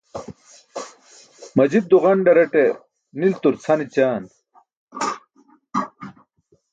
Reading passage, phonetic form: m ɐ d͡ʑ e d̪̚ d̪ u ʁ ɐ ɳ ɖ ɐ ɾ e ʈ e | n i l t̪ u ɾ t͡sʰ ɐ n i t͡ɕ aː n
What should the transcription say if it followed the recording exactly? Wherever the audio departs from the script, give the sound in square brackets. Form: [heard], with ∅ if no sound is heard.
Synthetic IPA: m ɐ d͡ʑ [i] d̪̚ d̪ u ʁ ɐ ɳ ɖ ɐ ɾ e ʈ e | n i l t̪ u ɾ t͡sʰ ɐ n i t͡ɕ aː n